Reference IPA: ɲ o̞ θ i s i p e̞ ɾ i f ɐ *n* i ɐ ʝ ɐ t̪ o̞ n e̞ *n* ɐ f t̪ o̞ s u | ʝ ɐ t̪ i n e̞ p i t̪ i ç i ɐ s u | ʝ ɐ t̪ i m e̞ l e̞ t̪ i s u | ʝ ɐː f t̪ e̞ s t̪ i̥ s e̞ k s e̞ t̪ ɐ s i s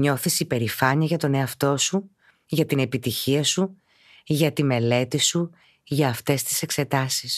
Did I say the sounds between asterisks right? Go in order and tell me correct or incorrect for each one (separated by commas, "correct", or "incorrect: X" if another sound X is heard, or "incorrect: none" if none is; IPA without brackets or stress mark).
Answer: incorrect: ɲ, incorrect: none